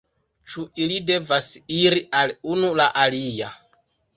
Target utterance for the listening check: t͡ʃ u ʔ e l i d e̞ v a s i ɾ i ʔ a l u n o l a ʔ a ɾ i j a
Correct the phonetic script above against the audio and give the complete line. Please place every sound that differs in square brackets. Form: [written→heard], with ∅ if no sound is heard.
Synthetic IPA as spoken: t͡ʃ u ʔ [e→i] l i d e̞ v a s i ɾ i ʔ a l u n [o→u] l a ʔ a [ɾ→l] i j a